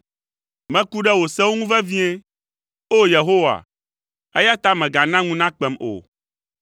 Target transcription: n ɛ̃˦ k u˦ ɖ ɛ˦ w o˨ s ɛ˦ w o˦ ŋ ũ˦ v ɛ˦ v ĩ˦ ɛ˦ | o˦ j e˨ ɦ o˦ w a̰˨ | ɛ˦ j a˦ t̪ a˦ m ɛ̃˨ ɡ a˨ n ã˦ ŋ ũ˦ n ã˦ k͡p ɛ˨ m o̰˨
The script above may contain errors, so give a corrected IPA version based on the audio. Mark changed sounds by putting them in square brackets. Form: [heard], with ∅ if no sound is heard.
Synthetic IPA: [m] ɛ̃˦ k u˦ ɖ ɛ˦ w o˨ s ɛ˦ w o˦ ŋ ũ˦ v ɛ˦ v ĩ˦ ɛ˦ | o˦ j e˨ ɦ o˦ w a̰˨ | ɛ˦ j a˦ t̪ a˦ m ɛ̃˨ ɡ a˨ n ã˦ ŋ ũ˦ n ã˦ k͡p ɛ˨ m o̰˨